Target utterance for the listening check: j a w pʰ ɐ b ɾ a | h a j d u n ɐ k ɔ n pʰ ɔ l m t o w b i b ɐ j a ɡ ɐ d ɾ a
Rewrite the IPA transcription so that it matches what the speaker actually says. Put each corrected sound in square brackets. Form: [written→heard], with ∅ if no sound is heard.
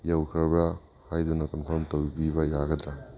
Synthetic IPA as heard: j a w [pʰ→kʰ] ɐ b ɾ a | h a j d u n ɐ k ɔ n pʰ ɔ [l→ɾ] m t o w b i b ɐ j a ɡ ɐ d ɾ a